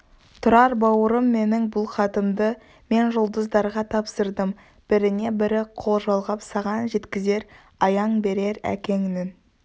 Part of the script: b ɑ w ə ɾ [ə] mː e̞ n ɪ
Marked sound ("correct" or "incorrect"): correct